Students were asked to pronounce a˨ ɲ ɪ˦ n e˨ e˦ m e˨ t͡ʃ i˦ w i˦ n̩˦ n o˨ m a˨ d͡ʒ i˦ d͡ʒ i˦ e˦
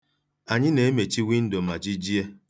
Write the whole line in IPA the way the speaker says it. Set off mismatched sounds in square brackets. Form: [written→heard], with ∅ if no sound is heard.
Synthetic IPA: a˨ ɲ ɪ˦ n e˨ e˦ m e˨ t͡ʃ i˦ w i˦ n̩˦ [n→d] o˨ m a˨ d͡ʒ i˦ d͡ʒ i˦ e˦